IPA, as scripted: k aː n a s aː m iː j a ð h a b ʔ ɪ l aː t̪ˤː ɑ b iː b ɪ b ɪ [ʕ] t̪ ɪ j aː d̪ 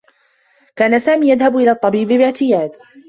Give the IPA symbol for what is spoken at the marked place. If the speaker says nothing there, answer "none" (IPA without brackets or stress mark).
ʕ